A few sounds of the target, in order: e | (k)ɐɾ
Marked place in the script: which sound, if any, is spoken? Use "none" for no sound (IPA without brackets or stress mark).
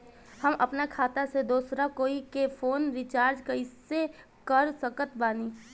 k